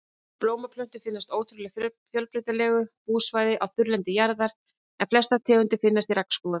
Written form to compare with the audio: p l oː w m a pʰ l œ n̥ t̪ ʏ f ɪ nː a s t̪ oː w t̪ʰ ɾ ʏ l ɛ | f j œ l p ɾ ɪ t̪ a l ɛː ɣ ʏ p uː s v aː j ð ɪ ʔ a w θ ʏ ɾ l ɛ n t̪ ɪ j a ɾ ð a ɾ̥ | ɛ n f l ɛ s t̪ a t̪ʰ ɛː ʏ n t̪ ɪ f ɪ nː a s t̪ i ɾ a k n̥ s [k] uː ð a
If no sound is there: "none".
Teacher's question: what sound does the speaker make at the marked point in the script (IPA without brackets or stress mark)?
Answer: k